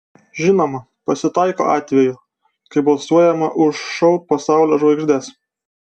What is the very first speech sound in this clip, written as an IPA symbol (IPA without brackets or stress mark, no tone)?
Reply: ʒʲ